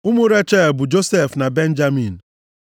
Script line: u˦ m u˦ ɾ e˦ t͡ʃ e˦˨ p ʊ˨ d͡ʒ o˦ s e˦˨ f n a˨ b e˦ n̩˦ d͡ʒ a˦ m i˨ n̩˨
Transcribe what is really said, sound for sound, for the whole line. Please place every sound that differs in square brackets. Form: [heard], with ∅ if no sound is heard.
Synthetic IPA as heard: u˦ m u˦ ɾ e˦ t͡ʃ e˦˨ [b] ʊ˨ d͡ʒ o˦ s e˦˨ f n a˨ b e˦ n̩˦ d͡ʒ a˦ m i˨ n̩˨